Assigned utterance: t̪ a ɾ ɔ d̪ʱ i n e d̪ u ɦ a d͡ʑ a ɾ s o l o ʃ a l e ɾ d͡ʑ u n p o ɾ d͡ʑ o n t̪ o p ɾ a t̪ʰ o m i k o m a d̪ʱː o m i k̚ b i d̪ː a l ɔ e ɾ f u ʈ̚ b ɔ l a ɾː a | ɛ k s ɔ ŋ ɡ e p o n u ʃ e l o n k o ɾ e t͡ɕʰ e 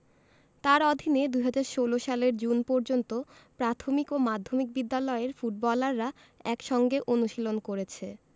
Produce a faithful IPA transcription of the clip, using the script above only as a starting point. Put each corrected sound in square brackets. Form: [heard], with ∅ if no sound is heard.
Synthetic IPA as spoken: t̪ a ɾ ɔ d̪ʱ i n e d̪ u ɦ a d͡ʑ a ɾ [ʃ] o l o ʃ a l e ɾ d͡ʑ u n p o ɾ d͡ʑ o n t̪ o p ɾ a t̪ʰ o m i k o m a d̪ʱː o m i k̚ b i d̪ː a l ɔ e ɾ f u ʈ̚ b ɔ l a ɾː a | ɛ k [ʃ] ɔ ŋ ɡ e [ʔ] o n u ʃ [i] l o n k o ɾ e t͡ɕʰ e